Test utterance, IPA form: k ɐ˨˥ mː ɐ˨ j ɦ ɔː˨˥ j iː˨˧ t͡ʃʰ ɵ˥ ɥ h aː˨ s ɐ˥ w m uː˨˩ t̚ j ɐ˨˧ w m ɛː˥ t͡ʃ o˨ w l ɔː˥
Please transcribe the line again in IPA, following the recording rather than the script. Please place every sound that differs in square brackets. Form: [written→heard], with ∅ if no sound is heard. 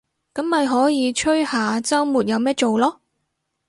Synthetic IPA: k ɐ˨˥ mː ɐ˨ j ɦ ɔː˨˥ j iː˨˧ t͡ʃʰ ɵ˥ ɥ h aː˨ [s→t͡s] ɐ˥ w m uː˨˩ t̚ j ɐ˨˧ w m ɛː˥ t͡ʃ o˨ w l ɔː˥

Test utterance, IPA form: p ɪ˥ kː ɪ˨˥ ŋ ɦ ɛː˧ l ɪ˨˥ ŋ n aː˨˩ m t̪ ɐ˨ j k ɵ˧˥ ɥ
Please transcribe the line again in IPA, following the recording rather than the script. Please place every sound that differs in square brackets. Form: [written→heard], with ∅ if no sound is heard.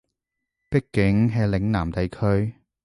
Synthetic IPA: p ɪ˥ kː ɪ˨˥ ŋ ɦ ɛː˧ l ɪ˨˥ ŋ n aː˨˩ m t̪ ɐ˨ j [k→kʰ] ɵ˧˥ ɥ

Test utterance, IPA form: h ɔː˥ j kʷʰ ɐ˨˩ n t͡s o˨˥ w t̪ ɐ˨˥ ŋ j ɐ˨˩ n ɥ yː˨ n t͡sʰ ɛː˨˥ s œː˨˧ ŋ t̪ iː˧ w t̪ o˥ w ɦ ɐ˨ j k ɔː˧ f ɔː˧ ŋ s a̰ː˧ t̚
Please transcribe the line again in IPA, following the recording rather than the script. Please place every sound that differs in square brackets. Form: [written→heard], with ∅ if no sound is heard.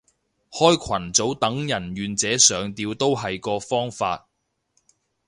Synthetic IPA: h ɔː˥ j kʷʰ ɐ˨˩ n t͡s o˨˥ w t̪ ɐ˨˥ ŋ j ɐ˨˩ n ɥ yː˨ n [t͡sʰ→t͡s] ɛː˨˥ s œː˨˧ ŋ t̪ iː˧ w t̪ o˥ w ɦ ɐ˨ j k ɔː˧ f [ɔː˧→ɔː˥] ŋ [s→f] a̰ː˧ t̚

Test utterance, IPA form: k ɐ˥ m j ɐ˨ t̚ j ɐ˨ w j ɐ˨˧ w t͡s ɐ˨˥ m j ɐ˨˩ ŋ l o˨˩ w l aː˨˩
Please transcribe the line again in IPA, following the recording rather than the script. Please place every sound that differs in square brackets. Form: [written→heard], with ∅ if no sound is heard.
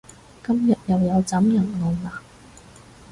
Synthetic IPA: k ɐ˥ m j ɐ˨ t̚ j ɐ˨ w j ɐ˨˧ w t͡s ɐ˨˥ m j ɐ˨˩ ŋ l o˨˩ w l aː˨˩

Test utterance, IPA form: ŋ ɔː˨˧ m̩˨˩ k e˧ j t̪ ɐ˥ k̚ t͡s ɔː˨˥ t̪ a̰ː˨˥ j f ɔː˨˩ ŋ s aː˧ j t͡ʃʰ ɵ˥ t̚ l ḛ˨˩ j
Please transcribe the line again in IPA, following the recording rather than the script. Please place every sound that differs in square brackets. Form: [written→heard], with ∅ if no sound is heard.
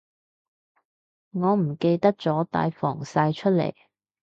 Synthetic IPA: ŋ ɔː˨˧ m̩˨˩ k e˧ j t̪ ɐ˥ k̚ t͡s ɔː˨˥ t̪ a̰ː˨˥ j f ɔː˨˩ ŋ s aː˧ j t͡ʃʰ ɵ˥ t̚ l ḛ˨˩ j

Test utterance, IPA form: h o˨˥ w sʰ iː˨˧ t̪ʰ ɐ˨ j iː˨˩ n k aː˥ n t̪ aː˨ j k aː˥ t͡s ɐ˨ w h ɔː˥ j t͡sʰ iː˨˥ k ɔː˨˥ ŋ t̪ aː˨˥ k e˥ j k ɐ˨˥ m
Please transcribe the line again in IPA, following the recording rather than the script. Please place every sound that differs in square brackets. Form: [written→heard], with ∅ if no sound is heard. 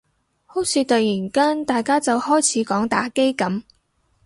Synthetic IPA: h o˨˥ w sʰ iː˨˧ [t̪ʰ→t̪] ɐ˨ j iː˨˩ n k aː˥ n t̪ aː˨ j k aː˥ t͡s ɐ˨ w h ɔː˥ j t͡sʰ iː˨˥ k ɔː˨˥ ŋ t̪ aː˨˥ k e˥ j k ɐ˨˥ m

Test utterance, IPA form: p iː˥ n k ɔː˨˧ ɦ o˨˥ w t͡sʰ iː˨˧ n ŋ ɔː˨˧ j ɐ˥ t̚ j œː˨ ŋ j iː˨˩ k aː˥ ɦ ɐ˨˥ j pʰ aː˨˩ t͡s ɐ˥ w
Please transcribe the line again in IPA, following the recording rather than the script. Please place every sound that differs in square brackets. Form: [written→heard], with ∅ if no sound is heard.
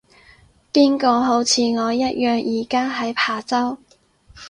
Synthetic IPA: p iː˥ n k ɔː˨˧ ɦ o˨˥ w t͡sʰ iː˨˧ [n→∅] ŋ ɔː˨˧ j ɐ˥ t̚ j œː˨ ŋ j iː˨˩ k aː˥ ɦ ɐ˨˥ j pʰ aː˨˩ t͡s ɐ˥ w

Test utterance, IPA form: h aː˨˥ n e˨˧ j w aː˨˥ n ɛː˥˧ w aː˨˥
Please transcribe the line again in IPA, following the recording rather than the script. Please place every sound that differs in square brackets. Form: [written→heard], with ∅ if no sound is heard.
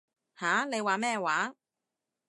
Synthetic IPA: h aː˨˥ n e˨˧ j w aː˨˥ [n→m] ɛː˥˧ w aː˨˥

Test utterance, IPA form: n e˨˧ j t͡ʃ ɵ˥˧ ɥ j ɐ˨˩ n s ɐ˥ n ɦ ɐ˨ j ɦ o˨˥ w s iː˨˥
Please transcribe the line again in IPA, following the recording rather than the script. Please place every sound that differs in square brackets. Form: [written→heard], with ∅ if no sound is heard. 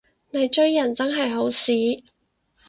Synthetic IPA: n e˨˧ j t͡ʃ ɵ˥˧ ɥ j ɐ˨˩ n [s→t͡s] ɐ˥ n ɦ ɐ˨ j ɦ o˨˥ w s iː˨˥

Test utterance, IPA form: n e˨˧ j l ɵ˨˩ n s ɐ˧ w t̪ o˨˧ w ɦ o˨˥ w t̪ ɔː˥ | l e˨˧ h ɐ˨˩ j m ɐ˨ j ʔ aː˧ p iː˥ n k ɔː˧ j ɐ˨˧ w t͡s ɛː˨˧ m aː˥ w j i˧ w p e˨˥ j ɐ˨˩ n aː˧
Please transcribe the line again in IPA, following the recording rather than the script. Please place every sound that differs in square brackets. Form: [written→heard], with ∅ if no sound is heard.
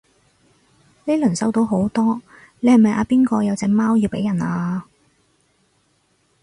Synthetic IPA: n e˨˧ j l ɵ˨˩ n s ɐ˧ w t̪ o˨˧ w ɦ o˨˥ w t̪ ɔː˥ | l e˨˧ h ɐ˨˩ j m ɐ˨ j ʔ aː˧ p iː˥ n k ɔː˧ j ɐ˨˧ w t͡s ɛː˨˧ m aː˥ w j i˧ w p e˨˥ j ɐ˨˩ n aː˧

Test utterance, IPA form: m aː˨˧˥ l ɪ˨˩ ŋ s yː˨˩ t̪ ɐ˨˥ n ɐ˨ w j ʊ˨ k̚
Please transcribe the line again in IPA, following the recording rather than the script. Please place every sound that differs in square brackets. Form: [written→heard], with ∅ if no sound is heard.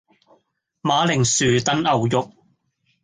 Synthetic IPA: m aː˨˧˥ l ɪ˨˩ ŋ s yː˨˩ t̪ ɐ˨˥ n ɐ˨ w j ʊ˨ k̚

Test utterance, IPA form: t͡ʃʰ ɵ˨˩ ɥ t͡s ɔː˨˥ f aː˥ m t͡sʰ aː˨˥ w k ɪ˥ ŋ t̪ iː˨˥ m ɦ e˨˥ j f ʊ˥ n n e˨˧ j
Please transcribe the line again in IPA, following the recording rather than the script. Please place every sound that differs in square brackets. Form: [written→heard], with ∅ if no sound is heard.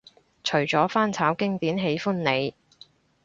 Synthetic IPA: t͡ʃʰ ɵ˨˩ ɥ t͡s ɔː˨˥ f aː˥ [m→n] t͡sʰ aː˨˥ w k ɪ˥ ŋ t̪ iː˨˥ [m→n] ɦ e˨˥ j f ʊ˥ n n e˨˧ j

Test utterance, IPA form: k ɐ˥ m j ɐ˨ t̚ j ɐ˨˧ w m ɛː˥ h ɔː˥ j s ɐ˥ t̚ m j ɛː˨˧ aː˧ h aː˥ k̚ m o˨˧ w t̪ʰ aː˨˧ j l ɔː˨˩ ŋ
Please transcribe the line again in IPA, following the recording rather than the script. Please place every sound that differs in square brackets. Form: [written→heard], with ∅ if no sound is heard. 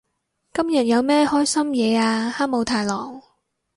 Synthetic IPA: k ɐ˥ m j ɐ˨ t̚ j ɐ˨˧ w m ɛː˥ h ɔː˥ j s ɐ˥ [t̚→∅] m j ɛː˨˧ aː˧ h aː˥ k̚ m o˨˧ w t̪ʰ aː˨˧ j l ɔː˨˩ ŋ

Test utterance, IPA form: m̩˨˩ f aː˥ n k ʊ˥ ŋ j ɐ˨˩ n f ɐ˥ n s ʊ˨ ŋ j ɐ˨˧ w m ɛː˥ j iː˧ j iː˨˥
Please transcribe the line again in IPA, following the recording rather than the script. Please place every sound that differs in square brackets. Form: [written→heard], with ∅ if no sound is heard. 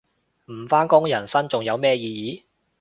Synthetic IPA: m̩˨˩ f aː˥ n k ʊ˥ ŋ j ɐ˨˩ n [f→s] ɐ˥ n [s→t͡s] ʊ˨ ŋ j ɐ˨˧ w m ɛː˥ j iː˧ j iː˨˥

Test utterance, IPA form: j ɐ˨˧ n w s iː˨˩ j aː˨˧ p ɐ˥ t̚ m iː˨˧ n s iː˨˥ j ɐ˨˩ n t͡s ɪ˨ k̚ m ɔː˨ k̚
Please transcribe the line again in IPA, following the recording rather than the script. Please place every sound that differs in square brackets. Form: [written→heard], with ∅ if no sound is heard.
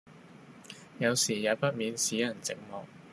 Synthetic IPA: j ɐ˨˧ [n→∅] w s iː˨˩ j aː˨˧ p ɐ˥ t̚ m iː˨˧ n s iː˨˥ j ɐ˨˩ n t͡s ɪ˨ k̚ m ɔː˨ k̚

